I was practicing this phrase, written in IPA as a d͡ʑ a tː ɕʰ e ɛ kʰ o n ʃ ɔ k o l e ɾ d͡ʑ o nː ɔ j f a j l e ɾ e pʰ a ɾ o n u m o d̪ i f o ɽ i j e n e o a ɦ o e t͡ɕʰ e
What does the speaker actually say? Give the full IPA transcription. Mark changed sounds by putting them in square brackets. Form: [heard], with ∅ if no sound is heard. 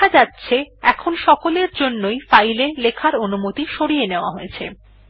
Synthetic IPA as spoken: a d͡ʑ a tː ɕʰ e ɛ kʰ o n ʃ ɔ k o l e ɾ d͡ʑ o nː [o] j f a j l e [l] e [kʰ] a ɾ o n u m o [t̪] i [ʃ] o ɽ i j e n e o a ɦ o e t͡ɕʰ e

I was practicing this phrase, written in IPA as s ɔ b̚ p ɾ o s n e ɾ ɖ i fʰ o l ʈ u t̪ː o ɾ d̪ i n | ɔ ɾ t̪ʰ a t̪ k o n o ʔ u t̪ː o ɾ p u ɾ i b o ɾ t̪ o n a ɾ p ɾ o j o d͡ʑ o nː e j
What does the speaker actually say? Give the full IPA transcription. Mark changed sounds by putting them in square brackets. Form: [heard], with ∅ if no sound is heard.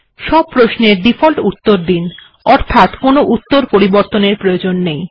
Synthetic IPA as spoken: [ʃ] ɔ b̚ p ɾ o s n e ɾ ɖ i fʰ o l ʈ u t̪ː o ɾ d̪ i n | ɔ ɾ t̪ʰ a t̪ k o n o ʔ u t̪ː o ɾ p [o] ɾ i b o ɾ t̪ o n [e] ɾ p ɾ o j o d͡ʑ o nː e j

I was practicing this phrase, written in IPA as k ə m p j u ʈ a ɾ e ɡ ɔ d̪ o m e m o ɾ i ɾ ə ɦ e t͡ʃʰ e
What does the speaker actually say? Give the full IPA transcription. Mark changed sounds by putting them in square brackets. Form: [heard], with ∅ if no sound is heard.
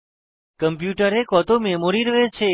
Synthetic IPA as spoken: k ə m p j u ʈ [ə] ɾ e [k] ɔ [t̪] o m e m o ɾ i ɾ ə ɦ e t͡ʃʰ e

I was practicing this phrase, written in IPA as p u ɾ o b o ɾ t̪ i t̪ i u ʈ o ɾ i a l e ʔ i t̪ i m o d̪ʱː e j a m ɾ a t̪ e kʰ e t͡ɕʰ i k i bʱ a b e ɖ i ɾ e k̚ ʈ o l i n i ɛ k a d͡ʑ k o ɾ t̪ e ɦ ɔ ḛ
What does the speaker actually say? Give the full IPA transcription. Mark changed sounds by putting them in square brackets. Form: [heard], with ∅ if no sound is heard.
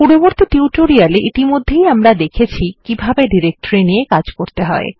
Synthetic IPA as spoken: p u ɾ o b o ɾ t̪ i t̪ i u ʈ o ɾ i a l e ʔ i t̪ i m o d̪ʱː e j a m ɾ a [d̪] e kʰ e t͡ɕʰ i k i bʱ a b e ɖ i ɾ e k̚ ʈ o [ɾ] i n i [e] k a d͡ʑ k o ɾ t̪ e ɦ ɔ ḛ

